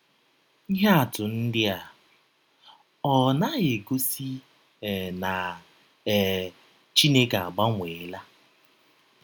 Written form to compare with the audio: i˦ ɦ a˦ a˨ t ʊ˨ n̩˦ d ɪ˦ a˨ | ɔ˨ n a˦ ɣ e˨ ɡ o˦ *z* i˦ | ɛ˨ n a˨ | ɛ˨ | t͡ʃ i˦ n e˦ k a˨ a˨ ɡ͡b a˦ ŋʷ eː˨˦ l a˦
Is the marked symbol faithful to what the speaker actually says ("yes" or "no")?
no